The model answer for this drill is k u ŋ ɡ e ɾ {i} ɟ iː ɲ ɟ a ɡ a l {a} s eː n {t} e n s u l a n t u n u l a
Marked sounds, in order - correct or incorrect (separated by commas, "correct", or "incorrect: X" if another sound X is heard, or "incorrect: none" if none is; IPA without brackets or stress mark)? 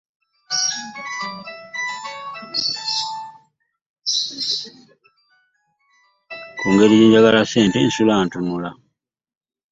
correct, correct, correct